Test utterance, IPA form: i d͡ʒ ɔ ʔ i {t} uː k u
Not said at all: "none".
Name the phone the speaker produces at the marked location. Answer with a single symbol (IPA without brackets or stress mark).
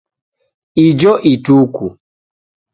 t